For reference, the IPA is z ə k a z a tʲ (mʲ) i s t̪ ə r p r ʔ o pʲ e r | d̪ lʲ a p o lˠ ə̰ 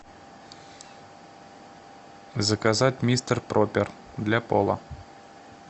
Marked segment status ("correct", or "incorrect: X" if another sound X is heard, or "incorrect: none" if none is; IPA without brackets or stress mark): correct